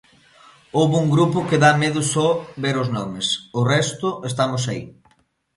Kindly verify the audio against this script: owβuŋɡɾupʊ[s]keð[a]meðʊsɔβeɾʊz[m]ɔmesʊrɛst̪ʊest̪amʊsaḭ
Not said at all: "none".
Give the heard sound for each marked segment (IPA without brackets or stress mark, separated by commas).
none, a, n